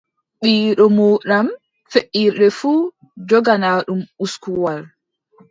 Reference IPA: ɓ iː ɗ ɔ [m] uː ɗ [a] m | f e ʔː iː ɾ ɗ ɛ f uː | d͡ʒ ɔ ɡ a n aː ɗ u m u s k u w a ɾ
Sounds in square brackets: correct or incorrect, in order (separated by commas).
correct, correct